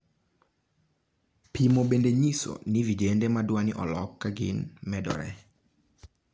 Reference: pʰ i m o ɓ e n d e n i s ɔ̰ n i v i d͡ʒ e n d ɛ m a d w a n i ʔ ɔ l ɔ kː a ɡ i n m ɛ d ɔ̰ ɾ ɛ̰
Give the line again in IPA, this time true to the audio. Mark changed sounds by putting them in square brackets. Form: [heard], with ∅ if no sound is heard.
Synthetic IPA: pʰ i m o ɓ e n d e [ɲ] i s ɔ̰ n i v i d͡ʒ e n d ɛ m a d w a n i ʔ ɔ l ɔ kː a ɡ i n m ɛ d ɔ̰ ɾ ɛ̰